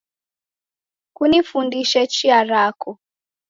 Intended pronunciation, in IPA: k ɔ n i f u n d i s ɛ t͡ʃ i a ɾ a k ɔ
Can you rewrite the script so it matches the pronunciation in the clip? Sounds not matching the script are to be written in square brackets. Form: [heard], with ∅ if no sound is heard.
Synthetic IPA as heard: k [u] n i f u n d i [ʃ] ɛ t͡ʃ i a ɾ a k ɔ